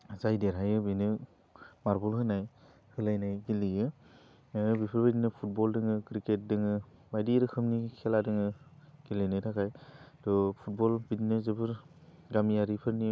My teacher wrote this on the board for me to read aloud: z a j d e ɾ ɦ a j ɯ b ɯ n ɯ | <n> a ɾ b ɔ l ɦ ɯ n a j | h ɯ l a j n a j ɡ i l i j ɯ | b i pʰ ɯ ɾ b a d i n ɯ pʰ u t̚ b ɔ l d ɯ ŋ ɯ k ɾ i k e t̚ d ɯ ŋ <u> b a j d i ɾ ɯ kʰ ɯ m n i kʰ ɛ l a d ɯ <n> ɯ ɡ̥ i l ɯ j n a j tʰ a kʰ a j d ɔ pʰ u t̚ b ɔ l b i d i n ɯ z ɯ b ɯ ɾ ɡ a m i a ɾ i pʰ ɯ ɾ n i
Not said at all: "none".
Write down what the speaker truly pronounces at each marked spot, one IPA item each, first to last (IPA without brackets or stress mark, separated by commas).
m, ɯ, ŋ